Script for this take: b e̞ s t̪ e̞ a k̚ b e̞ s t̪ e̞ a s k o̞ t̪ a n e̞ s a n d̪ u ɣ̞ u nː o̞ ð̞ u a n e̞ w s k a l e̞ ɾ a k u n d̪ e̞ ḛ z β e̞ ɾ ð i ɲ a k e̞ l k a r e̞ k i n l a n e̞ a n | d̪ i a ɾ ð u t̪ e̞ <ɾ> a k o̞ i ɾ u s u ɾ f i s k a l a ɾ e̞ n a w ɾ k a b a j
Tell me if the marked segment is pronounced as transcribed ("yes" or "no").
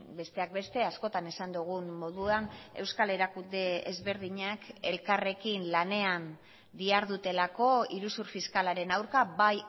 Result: no